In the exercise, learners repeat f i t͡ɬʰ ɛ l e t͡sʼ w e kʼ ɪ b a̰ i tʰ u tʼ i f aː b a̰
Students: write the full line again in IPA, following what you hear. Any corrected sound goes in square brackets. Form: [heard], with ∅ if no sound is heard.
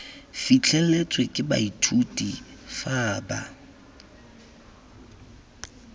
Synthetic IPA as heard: f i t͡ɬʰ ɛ l e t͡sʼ w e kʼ ɪ b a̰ i tʰ u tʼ i f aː b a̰